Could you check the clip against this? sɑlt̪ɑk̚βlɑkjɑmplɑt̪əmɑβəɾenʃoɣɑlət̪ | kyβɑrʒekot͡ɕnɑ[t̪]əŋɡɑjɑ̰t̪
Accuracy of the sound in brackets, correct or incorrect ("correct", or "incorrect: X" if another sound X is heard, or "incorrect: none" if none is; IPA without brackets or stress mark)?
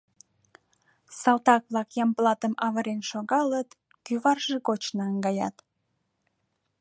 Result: incorrect: none